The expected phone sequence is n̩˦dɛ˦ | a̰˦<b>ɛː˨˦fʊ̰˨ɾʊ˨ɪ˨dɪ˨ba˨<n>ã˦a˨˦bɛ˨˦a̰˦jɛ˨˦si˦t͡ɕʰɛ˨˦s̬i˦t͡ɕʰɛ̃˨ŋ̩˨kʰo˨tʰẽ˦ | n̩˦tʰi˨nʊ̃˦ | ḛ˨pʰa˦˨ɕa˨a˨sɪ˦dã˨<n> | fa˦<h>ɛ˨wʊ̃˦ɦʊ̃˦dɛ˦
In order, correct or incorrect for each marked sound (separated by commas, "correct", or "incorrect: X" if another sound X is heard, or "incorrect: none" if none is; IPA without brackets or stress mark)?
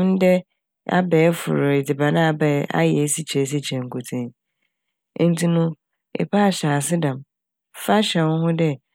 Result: correct, correct, incorrect: m, incorrect: ɕ